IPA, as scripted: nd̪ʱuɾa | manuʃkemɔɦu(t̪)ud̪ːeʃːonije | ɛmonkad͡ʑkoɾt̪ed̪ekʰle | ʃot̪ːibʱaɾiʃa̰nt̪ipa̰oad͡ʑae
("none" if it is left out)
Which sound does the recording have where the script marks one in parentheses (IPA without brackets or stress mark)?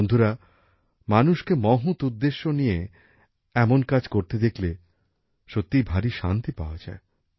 t̪